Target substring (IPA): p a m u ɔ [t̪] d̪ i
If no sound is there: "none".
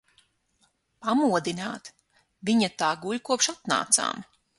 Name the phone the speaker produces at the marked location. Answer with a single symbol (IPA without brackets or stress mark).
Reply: none